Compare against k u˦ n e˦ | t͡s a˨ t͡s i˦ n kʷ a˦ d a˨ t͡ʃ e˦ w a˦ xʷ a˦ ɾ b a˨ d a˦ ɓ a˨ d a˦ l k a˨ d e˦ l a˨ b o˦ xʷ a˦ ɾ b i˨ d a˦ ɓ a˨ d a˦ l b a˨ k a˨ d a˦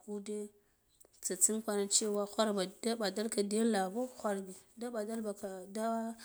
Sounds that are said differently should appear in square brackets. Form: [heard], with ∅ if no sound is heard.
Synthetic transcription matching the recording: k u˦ [d] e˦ | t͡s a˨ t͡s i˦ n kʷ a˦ [n] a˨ t͡ʃ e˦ w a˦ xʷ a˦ ɾ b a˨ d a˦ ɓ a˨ d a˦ l k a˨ d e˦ l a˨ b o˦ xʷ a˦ ɾ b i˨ d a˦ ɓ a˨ d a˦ l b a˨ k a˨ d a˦

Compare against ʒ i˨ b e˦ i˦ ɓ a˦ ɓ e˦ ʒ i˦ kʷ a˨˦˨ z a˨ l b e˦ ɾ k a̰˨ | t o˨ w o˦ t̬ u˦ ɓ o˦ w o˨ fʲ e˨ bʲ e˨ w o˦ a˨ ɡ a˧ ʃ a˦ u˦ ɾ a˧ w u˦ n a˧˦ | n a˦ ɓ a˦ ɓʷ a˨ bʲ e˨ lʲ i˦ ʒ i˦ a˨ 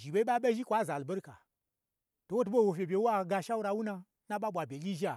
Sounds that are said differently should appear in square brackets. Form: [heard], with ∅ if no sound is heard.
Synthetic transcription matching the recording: ʒ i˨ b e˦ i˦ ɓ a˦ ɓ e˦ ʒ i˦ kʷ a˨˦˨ z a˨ l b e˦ ɾ k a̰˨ | t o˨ w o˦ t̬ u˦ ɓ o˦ w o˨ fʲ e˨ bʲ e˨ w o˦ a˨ ɡ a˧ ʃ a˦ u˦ ɾ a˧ w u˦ n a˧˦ | n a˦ ɓ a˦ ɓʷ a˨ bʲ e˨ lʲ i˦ ʒ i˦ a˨

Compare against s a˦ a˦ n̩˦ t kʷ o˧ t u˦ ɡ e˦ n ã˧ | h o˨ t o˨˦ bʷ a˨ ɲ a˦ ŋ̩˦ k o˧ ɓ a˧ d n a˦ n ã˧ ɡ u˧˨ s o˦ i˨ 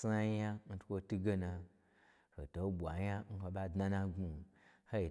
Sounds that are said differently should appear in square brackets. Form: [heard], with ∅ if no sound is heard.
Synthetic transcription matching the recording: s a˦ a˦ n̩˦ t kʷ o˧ t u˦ ɡ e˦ n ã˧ | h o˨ t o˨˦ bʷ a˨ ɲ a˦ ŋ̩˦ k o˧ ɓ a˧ d n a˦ n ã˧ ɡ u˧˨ [h] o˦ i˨

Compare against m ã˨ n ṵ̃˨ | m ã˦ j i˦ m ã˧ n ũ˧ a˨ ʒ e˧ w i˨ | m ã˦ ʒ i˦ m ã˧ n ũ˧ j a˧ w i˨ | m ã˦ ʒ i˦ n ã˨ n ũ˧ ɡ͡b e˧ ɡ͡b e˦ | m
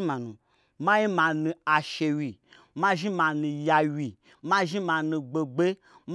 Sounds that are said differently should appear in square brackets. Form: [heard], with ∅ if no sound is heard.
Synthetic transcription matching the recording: m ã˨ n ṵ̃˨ | m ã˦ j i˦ m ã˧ n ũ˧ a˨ [ʃ] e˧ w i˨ | m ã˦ ʒ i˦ m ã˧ n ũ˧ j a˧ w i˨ | m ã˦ ʒ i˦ [m] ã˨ n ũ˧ ɡ͡b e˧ ɡ͡b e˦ | m

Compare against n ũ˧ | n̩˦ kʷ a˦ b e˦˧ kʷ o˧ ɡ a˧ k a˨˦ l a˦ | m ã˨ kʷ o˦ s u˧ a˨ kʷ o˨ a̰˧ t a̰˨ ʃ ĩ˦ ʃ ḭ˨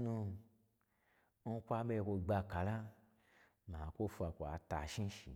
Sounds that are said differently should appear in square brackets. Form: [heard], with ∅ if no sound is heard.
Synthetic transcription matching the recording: n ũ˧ | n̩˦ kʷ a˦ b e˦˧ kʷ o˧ [ɡ͡b] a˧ k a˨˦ l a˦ | m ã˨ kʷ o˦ [f] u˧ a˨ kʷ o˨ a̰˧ t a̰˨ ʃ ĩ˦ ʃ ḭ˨

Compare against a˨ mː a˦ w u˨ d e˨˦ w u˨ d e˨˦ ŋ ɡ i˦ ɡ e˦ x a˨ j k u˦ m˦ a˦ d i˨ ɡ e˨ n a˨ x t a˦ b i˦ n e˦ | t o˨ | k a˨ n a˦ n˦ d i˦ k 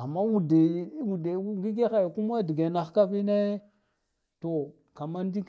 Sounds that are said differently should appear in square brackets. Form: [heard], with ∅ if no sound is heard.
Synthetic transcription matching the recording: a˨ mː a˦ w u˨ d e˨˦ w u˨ d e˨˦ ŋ ɡ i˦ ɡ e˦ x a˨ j k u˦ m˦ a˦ d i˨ ɡ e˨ n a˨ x [k] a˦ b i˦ n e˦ | t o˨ | k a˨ [m] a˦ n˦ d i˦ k

